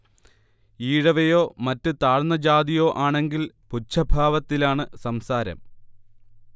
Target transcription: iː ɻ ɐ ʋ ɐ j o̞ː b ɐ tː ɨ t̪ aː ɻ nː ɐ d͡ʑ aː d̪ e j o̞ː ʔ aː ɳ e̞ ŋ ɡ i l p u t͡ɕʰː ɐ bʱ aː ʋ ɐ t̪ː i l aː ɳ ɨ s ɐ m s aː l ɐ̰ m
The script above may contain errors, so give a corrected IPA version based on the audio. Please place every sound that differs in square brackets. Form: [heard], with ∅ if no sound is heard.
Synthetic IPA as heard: iː ɻ ɐ ʋ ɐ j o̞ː [m] ɐ tː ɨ t̪ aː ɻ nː ɐ d͡ʑ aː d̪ [i] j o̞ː ʔ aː ɳ e̞ ŋ ɡ i l p u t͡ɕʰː ɐ bʱ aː ʋ ɐ t̪ː i l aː ɳ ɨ s ɐ m s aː [ɾ] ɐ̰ m